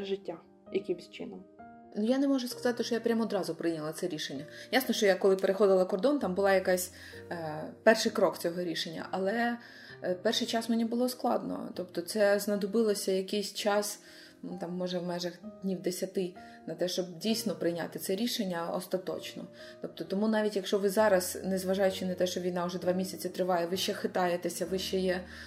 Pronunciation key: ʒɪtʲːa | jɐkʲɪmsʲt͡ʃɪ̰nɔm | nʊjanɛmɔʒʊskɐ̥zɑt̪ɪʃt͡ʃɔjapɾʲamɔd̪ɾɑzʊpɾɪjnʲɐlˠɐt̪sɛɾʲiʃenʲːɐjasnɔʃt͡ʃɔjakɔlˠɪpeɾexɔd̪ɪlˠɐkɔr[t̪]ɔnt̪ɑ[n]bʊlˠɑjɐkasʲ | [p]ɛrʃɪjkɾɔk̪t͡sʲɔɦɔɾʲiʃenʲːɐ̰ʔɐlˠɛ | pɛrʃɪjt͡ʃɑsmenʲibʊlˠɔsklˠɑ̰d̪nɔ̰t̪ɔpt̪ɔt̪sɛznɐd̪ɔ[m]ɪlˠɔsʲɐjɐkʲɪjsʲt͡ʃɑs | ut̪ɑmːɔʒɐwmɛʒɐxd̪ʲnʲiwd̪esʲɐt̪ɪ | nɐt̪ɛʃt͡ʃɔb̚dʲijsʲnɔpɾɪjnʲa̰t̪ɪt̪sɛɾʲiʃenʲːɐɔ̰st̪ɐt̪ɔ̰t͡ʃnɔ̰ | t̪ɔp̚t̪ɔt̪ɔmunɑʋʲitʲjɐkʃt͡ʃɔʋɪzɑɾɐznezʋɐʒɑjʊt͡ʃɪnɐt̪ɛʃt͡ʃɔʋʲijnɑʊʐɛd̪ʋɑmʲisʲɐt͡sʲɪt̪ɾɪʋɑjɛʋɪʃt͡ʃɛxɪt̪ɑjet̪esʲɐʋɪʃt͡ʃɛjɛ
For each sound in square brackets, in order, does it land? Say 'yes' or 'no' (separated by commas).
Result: no, no, yes, no